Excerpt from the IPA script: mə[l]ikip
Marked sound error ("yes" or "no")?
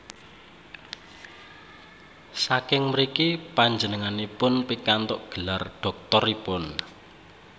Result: yes